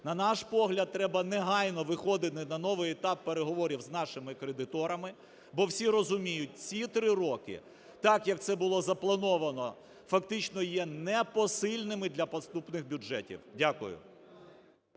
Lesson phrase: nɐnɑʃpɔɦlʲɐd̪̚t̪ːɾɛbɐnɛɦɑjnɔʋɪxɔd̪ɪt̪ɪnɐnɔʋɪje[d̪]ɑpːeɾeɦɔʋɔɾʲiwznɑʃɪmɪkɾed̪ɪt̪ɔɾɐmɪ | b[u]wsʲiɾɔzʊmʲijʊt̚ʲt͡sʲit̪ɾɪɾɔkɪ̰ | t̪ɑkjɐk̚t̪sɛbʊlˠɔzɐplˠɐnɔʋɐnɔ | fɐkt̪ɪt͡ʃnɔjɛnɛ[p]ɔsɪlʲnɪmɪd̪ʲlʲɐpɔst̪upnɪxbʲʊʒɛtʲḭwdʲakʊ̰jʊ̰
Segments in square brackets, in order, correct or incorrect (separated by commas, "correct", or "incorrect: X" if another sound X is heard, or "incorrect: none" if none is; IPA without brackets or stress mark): incorrect: t̪, incorrect: ɔ, correct